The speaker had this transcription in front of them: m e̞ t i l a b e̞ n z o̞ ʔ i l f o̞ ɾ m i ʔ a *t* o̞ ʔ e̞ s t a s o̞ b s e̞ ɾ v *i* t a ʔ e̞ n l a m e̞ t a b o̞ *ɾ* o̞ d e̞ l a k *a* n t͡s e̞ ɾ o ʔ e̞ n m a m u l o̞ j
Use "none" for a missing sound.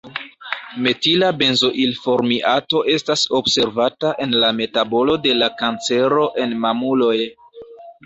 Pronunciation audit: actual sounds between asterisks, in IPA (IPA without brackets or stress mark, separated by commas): t, a, l, a